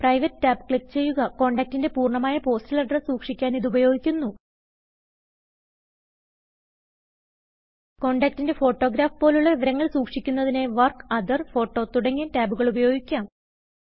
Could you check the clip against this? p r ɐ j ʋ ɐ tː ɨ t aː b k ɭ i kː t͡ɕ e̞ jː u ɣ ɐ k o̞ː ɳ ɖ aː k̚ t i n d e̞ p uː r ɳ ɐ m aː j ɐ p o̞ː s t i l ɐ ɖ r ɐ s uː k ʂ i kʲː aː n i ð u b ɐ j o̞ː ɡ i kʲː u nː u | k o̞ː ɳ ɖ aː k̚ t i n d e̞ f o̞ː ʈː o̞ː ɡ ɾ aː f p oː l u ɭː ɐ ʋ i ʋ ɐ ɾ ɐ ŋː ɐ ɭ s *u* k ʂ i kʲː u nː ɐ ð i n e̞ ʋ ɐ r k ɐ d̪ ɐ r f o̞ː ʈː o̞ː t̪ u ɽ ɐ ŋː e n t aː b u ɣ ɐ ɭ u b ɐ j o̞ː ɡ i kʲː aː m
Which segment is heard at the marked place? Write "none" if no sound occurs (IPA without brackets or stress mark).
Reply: uː